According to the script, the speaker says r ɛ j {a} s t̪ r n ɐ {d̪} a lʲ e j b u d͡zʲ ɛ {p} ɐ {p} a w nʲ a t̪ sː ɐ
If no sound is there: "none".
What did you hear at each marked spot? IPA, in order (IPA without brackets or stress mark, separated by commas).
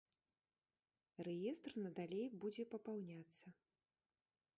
ɛ, d̪, p, p